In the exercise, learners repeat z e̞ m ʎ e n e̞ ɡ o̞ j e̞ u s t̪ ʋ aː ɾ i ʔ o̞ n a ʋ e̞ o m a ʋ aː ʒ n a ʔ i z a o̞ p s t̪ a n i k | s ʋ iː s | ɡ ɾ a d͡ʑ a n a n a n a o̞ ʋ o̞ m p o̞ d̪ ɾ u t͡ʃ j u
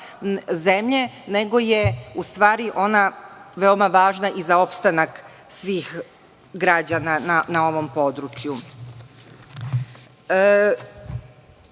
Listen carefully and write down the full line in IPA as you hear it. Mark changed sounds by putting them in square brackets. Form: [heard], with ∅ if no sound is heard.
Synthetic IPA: z e̞ m ʎ e n e̞ ɡ o̞ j e̞ u s t̪ ʋ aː ɾ i ʔ o̞ n a ʋ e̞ o m a ʋ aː ʒ n a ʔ i z a o̞ p s t̪ a n [a] k | s ʋ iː [x] | ɡ ɾ a d͡ʑ a n a n a n a o̞ ʋ o̞ m p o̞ d̪ ɾ u t͡ʃ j u